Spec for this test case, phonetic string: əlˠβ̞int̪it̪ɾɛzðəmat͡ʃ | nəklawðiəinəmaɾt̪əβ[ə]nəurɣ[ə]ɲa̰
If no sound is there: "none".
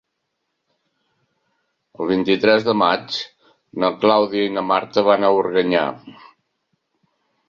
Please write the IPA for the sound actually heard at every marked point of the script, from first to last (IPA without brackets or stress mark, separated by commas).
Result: a, ə